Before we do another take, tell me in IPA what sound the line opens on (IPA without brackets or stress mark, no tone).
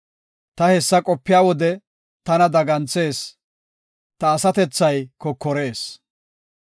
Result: t̪